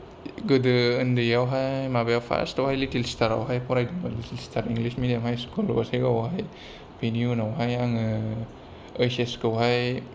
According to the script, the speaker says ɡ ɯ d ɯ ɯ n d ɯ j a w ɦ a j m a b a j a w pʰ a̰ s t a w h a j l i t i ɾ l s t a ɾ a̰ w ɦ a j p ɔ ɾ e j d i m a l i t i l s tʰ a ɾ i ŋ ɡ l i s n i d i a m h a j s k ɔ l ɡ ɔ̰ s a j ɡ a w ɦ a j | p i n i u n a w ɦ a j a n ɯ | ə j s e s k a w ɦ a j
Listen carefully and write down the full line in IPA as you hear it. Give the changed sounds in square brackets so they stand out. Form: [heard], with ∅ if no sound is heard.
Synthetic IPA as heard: ɡ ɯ d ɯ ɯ n d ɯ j a w ɦ a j m a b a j a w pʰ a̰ s t a w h a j l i t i [∅] l s t a ɾ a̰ w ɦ a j p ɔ ɾ [a] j d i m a l i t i l s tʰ a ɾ i ŋ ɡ l i s [m] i d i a m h a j s k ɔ l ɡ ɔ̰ s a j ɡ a w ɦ a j | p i n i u n a w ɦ a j a [ŋ] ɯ | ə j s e s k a w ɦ a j